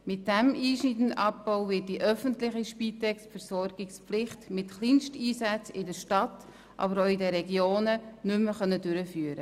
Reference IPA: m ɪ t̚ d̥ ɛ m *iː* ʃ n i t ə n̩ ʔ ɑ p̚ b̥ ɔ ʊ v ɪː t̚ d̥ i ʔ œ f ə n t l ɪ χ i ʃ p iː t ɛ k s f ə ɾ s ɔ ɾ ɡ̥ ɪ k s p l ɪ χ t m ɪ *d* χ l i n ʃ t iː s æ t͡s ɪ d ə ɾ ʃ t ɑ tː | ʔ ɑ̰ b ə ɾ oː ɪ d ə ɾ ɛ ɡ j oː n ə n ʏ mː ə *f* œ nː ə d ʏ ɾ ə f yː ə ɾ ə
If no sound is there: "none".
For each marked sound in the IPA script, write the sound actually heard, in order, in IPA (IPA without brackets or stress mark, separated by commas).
iː, t, χ